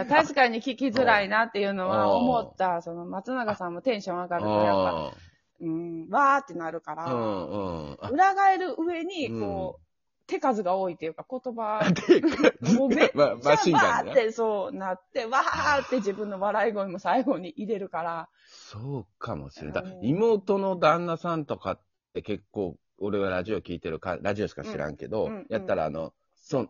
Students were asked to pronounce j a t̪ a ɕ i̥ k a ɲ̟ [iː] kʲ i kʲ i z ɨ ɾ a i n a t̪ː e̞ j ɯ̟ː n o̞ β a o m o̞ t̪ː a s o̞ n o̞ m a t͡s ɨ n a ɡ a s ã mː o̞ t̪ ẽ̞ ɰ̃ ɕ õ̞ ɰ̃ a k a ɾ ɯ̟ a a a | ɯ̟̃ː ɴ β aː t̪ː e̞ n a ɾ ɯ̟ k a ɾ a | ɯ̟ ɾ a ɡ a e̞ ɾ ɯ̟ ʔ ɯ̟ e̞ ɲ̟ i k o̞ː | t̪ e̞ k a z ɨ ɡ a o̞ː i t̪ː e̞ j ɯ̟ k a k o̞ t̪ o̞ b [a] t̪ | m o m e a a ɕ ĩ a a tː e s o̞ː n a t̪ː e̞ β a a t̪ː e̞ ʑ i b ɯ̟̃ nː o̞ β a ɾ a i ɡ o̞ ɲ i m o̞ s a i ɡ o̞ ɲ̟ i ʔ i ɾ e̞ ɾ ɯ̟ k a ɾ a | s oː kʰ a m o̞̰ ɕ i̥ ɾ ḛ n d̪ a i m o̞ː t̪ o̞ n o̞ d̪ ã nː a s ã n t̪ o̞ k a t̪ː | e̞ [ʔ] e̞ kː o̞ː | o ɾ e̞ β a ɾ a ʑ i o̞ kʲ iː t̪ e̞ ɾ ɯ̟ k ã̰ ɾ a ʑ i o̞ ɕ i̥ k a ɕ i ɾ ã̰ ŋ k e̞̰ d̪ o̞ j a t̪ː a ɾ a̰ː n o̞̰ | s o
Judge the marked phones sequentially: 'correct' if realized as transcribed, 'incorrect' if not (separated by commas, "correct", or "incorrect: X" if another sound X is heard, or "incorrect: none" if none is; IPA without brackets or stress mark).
incorrect: i, correct, incorrect: k